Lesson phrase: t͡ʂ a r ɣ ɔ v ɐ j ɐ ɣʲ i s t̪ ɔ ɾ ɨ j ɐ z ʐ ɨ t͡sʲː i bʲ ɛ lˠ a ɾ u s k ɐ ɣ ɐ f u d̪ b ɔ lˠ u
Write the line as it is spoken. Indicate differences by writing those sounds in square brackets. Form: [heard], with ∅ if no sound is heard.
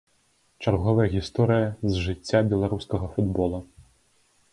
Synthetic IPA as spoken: t͡ʂ a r ɣ ɔ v ɐ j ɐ ɣʲ i s t̪ ɔ ɾ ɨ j ɐ z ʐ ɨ t͡sʲː [a] bʲ ɛ lˠ a ɾ u s k ɐ ɣ ɐ f u d̪ b ɔ lˠ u